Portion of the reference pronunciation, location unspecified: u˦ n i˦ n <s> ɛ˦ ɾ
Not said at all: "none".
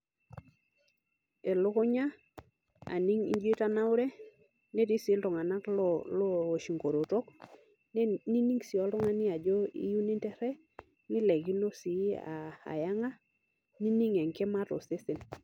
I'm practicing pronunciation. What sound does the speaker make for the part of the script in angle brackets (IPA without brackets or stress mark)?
t